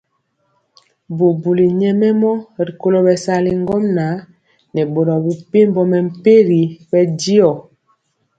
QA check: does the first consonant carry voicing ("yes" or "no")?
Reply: yes